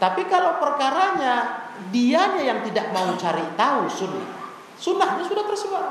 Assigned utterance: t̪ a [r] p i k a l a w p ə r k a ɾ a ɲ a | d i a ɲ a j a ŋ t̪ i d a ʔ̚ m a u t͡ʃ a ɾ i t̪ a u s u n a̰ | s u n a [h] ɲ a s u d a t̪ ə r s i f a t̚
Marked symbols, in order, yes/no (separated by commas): no, yes